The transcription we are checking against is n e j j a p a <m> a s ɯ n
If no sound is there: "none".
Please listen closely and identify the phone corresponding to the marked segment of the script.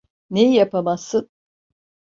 m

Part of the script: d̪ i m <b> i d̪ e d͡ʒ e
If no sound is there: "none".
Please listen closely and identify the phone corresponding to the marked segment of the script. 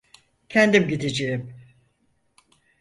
ɟ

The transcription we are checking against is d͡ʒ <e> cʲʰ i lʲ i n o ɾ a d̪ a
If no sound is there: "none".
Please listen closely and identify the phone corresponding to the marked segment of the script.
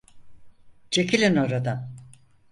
e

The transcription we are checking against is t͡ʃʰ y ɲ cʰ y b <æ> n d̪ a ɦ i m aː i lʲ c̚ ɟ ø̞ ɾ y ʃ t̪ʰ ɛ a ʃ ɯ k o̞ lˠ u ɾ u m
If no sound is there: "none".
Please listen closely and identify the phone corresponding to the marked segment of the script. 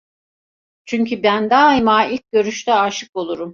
æ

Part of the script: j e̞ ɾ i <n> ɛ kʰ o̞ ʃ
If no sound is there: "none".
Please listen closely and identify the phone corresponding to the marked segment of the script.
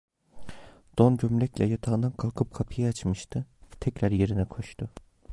n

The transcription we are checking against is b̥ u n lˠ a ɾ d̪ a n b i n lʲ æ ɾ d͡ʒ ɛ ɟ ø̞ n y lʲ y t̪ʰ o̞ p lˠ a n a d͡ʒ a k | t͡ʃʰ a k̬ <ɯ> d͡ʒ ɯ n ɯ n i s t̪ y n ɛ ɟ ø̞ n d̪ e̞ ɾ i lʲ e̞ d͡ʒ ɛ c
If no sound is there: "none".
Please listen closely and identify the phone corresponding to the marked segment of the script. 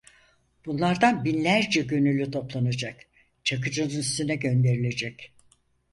ɯ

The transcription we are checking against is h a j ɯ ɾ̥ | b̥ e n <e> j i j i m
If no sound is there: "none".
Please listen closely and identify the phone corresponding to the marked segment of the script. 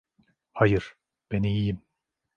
i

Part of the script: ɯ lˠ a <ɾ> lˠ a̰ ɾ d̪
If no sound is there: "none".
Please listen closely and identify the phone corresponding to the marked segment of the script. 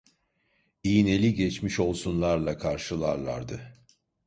ɾ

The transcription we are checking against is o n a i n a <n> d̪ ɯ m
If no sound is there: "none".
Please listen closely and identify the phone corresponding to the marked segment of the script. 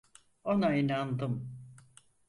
n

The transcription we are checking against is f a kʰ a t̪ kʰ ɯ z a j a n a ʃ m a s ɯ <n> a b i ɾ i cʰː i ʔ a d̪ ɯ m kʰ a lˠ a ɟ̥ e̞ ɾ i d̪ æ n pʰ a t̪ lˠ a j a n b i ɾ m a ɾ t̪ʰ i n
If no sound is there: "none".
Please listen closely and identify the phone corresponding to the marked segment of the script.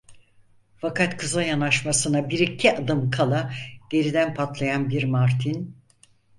n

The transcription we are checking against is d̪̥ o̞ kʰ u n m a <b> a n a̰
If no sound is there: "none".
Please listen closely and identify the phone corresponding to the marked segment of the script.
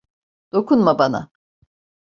b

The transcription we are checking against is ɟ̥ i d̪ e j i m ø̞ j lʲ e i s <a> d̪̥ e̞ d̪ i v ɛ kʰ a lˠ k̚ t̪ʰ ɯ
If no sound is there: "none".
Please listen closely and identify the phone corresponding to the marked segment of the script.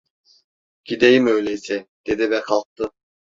ɛ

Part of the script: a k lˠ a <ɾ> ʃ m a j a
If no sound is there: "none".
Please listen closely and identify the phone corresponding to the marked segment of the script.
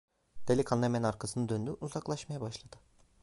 none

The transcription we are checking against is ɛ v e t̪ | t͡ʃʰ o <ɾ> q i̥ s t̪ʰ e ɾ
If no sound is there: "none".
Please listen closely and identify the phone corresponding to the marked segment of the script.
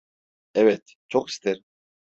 none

